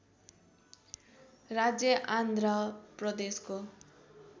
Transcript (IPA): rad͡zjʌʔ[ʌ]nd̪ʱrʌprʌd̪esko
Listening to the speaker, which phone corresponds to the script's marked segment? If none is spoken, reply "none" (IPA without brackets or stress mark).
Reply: a